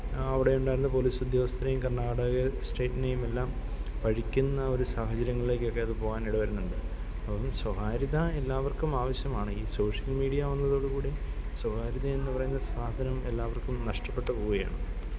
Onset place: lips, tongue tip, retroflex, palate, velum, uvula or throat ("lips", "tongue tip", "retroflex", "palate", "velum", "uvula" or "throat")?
lips